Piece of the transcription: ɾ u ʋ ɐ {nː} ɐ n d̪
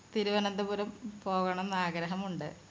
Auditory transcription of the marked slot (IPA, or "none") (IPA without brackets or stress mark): n